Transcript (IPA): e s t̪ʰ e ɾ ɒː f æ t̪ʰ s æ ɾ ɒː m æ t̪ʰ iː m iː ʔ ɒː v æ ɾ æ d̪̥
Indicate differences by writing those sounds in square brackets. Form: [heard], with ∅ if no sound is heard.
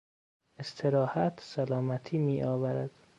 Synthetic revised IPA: e s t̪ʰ e ɾ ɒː [h] æ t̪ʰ s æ [l] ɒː m æ t̪ʰ iː m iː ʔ ɒː v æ ɾ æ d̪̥